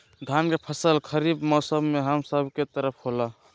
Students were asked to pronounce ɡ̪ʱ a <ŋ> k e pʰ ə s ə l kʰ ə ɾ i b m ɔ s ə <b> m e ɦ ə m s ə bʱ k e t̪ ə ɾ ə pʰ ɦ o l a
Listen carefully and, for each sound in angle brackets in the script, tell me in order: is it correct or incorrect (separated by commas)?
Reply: incorrect, correct